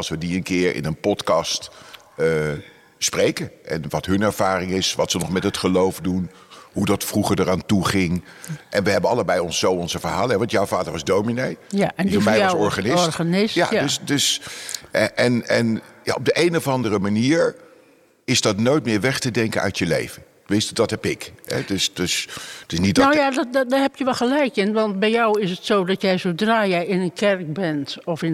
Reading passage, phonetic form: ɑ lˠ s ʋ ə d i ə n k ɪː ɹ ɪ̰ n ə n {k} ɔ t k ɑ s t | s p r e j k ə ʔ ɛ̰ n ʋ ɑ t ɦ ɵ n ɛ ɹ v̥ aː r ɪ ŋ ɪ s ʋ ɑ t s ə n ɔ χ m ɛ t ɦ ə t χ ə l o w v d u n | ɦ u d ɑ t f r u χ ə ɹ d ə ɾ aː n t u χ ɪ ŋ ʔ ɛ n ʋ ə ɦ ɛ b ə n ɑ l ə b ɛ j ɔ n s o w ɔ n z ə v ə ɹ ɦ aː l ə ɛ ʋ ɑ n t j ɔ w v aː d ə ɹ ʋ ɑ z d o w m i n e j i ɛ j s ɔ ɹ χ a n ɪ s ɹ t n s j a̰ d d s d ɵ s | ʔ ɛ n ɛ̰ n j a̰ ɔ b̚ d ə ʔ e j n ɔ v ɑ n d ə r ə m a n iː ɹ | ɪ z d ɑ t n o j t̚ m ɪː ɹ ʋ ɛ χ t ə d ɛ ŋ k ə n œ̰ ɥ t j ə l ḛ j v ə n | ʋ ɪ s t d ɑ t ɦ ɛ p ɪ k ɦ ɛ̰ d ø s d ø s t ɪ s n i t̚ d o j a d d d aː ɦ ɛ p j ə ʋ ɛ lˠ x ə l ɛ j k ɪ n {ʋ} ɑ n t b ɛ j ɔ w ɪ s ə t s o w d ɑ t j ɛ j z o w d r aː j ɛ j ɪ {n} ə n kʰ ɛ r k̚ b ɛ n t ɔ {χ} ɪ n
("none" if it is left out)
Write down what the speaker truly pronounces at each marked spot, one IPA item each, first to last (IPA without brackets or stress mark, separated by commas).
p, ʋ, n, f